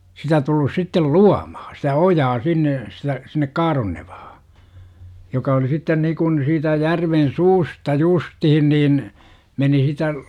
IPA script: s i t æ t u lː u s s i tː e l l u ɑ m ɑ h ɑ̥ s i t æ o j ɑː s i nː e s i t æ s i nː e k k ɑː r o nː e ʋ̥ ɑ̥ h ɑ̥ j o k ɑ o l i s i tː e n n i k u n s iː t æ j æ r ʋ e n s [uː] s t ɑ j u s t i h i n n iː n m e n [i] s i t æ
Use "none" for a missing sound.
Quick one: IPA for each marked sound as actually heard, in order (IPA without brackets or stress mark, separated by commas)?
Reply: uː, i